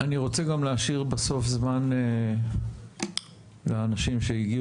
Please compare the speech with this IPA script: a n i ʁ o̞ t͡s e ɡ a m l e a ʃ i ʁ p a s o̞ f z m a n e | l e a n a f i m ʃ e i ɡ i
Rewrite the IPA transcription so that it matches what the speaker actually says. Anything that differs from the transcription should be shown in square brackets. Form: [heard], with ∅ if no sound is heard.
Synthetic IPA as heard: a n i ʁ o̞ t͡s e ɡ a m l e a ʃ i ʁ [b] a s o̞ f z m a n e | l e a n a [ʃ] i m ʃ e i ɡ i